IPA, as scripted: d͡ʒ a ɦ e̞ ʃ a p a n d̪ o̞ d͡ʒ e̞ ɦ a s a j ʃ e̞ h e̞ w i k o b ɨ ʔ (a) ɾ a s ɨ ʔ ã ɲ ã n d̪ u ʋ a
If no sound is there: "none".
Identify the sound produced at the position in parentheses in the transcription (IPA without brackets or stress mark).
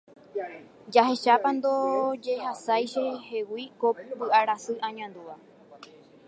a